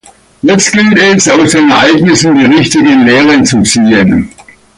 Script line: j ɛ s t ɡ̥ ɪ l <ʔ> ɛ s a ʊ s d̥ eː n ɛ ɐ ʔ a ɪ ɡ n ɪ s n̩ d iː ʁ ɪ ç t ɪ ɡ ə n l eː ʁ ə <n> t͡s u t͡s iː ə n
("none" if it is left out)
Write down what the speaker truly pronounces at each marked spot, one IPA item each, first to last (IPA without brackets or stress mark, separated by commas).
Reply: t, n